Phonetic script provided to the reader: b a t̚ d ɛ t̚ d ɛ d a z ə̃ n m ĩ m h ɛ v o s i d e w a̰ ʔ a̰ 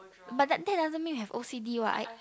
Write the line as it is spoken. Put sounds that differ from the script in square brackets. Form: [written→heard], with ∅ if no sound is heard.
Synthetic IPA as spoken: b a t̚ d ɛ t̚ d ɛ d a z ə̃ n m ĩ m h ɛ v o s i d [e→i] w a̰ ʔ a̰

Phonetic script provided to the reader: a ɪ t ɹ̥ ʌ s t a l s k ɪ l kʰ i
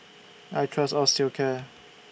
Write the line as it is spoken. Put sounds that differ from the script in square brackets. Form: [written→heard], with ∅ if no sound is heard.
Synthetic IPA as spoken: a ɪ [t→tʰ] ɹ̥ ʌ s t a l s [k→t] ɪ l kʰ [i→ɛ]

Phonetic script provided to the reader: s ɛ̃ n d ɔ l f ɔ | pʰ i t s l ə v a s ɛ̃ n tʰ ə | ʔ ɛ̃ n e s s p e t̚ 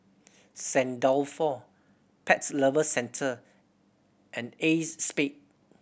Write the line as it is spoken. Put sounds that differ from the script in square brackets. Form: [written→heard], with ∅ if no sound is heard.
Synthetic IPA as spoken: s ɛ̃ n d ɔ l f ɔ | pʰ [i→ɛ] t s l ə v [a→ə] s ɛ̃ n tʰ ə | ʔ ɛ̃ n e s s p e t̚

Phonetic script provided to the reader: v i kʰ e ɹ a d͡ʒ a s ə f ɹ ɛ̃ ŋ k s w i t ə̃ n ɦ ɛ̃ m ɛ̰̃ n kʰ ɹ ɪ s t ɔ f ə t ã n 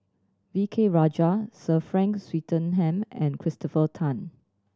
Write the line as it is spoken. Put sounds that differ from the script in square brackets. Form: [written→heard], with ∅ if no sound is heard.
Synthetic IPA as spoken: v i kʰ e ɹ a d͡ʒ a s ə f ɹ ɛ̃ ŋ k s w i t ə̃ n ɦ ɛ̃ m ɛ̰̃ n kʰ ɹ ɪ s t ɔ f ə [t→tʰ] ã n

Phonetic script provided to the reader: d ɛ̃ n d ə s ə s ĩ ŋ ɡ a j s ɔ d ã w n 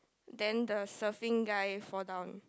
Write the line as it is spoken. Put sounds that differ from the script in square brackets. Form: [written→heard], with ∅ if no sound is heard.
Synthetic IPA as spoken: d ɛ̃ n d ə s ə [s→f] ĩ ŋ ɡ a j [s→f] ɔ d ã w n

